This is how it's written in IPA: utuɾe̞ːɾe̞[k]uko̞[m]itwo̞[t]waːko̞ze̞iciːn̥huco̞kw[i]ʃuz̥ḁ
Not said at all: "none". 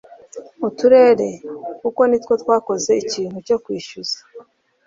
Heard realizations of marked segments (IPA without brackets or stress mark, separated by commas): k, n, t, iː